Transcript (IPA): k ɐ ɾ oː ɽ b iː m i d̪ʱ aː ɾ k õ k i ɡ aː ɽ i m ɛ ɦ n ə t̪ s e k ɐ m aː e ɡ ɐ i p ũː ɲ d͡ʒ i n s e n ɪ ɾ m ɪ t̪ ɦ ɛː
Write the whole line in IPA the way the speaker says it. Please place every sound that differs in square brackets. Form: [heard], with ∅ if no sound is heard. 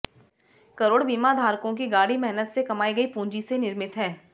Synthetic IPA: k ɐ ɾ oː ɽ b iː m [a] d̪ʱ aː ɾ k õ k i ɡ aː ɽ i m ɛ ɦ n ə t̪ s e k ɐ m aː [i] ɡ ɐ i p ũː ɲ d͡ʒ i [∅] s e n ɪ ɾ m ɪ t̪ ɦ ɛː